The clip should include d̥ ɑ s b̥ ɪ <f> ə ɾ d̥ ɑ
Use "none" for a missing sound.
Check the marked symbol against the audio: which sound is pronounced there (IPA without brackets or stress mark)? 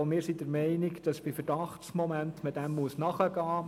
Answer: f